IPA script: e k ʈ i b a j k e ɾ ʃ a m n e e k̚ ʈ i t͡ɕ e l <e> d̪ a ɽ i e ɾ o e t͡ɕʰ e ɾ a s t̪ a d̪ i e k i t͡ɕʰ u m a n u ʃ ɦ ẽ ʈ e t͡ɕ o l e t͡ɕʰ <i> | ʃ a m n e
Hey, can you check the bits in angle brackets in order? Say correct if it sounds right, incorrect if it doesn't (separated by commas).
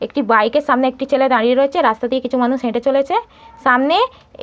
correct, incorrect